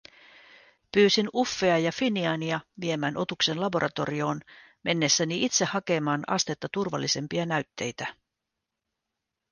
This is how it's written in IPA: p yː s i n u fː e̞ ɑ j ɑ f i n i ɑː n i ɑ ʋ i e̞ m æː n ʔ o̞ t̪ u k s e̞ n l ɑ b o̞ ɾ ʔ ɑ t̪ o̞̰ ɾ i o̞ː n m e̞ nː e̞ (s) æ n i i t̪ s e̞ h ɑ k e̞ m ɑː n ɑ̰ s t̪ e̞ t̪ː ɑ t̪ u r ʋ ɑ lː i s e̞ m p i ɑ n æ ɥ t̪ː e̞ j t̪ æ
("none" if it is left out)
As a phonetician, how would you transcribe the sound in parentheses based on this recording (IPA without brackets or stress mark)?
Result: sː